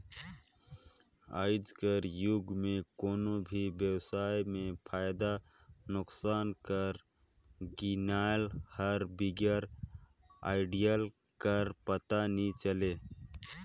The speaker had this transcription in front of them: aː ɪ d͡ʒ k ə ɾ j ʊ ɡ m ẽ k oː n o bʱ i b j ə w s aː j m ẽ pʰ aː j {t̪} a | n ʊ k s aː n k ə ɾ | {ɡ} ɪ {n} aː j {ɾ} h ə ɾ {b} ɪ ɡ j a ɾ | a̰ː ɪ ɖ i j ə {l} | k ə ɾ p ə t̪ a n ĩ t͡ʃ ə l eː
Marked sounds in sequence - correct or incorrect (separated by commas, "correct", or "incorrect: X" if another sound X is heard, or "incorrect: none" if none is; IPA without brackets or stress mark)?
incorrect: d̪, correct, correct, incorrect: l, correct, correct